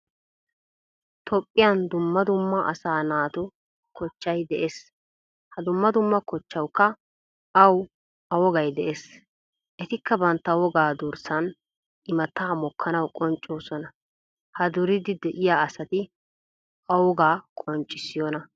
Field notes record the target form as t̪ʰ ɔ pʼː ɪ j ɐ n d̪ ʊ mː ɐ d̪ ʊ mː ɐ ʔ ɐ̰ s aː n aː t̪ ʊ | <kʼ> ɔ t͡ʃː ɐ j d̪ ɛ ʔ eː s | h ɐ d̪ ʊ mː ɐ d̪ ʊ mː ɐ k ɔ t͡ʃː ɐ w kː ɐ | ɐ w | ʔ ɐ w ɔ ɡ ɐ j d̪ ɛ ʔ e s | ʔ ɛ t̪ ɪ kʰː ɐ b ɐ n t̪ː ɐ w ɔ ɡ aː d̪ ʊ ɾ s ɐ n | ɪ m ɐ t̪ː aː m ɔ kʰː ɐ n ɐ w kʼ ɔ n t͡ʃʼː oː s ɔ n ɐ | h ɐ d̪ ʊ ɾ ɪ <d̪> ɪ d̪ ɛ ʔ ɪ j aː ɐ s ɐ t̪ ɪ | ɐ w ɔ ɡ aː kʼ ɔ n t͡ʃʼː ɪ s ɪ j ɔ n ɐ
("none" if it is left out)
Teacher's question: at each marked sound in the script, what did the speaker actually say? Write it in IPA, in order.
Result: k, d̪

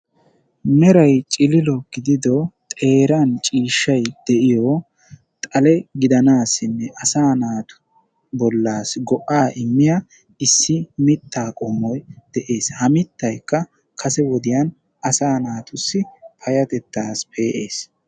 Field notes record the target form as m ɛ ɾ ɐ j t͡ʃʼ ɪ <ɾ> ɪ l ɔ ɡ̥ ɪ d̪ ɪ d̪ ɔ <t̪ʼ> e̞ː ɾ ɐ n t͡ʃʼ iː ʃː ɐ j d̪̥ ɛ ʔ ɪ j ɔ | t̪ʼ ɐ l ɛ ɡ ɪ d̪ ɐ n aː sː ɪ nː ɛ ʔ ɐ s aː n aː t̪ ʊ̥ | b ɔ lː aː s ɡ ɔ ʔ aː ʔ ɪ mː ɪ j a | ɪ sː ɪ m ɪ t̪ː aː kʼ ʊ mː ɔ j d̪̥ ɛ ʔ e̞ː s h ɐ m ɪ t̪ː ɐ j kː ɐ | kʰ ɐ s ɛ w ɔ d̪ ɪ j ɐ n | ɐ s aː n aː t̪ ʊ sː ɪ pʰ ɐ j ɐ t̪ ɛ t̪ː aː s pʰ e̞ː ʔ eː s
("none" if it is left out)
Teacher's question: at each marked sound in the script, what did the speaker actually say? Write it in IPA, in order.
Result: l, t̪ʼ

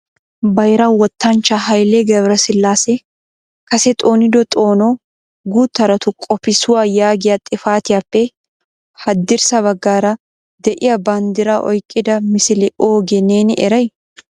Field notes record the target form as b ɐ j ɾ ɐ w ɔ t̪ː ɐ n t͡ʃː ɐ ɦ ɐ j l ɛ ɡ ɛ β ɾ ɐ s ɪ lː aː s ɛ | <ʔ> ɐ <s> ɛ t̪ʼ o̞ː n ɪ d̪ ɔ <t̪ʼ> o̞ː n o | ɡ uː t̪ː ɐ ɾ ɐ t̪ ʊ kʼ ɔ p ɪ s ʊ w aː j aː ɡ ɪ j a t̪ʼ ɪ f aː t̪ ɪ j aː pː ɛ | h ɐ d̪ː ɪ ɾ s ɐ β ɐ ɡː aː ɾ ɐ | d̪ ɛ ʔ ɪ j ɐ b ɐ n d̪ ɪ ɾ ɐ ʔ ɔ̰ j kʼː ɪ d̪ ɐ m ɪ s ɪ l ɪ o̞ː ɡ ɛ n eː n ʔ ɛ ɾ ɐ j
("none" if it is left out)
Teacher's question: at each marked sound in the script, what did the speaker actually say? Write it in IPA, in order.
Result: k, s, t̪ʼ

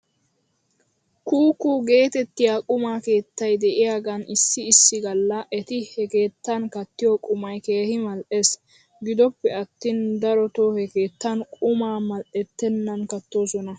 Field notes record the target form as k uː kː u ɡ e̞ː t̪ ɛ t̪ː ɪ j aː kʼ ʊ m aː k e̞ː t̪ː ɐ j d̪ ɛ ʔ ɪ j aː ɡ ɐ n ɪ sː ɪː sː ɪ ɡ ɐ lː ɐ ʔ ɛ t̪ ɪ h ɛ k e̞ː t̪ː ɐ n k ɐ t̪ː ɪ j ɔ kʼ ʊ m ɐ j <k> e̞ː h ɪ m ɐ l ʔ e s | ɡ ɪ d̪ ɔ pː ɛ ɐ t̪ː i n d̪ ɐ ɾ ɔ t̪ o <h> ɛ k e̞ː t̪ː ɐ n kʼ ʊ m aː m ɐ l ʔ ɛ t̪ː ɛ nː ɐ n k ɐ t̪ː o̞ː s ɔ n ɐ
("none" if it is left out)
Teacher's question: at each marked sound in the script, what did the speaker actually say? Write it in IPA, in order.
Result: k, h

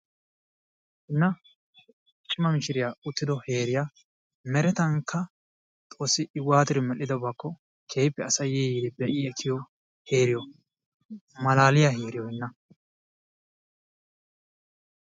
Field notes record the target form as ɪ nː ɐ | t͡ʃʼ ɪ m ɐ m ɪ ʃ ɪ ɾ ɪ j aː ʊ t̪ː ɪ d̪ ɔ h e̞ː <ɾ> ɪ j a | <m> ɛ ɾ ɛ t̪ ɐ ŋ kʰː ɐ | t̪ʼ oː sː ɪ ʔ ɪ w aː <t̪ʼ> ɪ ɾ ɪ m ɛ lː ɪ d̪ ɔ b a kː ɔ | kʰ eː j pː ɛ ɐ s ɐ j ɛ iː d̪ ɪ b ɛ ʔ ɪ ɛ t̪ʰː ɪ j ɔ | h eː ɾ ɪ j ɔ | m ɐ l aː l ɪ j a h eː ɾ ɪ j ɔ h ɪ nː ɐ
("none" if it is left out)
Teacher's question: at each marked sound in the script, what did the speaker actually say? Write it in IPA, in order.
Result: ɾ, m, t̪

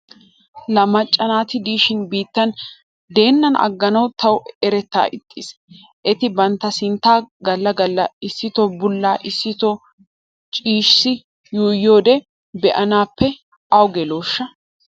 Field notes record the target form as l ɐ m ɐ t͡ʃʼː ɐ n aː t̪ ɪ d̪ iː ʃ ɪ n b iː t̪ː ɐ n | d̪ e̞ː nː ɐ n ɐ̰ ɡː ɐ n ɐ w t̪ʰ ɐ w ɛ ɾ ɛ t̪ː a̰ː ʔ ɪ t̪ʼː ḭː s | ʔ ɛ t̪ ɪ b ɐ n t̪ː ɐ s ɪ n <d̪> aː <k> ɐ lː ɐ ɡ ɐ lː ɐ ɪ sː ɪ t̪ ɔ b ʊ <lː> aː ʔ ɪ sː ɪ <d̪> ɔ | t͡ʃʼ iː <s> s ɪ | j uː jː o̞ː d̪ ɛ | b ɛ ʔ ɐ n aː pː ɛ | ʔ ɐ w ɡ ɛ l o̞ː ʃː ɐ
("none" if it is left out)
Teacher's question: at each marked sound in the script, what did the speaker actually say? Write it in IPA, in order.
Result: t̪, ɡ, lː, t̪, ʃ

